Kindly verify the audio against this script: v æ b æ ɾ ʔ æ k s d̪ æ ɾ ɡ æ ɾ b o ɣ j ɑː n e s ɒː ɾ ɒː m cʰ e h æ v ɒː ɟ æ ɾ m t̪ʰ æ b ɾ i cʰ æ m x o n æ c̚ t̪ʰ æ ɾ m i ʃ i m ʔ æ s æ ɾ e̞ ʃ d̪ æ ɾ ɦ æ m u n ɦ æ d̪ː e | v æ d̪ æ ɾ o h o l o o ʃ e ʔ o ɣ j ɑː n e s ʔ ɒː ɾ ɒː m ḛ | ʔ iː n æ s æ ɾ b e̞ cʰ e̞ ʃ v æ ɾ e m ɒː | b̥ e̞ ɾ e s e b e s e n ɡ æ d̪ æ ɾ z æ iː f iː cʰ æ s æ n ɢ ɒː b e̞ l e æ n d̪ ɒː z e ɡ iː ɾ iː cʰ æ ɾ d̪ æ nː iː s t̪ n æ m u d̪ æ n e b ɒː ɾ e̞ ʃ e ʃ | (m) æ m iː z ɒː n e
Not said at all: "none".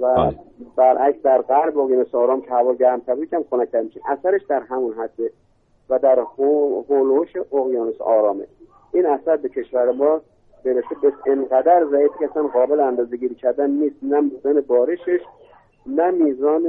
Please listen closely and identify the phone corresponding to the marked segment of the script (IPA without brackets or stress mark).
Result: n